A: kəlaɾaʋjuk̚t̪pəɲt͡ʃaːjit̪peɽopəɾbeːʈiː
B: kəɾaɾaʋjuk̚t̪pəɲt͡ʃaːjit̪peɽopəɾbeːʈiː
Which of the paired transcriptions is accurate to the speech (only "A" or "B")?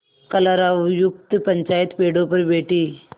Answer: A